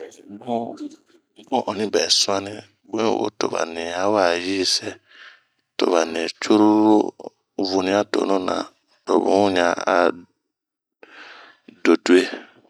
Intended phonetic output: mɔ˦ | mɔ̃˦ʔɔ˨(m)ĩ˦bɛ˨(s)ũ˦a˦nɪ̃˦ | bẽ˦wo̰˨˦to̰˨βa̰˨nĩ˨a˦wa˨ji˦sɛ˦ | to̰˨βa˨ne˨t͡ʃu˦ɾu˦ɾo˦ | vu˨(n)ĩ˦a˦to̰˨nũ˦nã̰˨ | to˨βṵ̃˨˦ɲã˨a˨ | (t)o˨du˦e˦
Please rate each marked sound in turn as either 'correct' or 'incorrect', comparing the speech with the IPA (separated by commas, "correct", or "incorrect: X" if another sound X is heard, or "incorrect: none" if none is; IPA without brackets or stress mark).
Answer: incorrect: n, correct, correct, incorrect: d